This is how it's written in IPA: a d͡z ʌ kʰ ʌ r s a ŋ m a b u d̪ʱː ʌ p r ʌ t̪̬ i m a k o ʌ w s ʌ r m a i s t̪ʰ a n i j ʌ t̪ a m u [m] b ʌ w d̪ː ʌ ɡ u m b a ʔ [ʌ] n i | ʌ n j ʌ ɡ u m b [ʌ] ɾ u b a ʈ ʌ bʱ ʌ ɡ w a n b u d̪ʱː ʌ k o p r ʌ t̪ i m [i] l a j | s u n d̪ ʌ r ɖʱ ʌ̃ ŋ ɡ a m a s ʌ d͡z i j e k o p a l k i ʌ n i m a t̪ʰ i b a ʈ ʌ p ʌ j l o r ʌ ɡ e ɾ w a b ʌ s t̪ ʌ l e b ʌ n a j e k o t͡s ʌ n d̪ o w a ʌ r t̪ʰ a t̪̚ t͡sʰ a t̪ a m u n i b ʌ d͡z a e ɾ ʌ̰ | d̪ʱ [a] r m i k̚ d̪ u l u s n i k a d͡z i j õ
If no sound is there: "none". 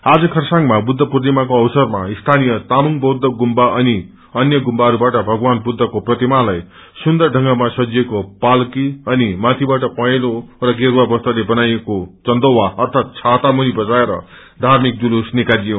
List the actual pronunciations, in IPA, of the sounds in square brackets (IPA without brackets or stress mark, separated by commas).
ŋ, ʌ, a, a, a